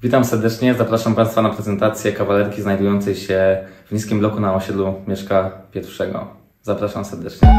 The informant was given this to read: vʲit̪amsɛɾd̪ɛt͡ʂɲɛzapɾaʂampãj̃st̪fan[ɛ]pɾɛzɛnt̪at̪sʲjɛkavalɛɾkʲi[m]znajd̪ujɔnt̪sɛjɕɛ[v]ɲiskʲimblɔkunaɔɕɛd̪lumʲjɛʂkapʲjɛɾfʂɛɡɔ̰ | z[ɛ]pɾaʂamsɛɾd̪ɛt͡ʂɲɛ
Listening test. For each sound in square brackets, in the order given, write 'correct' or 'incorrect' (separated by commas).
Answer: incorrect, incorrect, correct, incorrect